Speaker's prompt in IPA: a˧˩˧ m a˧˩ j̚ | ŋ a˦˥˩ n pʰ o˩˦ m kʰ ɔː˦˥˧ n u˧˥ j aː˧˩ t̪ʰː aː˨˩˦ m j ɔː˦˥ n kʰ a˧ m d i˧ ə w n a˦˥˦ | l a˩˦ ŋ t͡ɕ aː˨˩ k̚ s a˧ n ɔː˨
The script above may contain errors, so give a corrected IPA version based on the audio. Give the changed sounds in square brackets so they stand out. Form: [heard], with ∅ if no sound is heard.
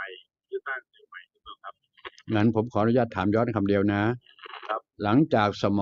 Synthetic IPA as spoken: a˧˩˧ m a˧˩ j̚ | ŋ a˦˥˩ n pʰ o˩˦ m kʰ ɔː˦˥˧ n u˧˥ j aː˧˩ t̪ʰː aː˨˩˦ m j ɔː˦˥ n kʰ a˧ m d i˧ ə w n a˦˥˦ | l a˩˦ ŋ t͡ɕ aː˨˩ k̚ s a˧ [m] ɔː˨